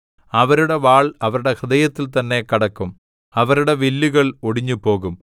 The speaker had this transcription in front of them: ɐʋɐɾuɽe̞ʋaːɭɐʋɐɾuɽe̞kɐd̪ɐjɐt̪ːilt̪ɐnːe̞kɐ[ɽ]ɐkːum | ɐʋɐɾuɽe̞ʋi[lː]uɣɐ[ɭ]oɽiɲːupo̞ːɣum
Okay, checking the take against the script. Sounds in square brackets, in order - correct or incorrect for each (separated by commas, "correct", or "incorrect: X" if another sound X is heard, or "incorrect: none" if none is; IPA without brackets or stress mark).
correct, correct, correct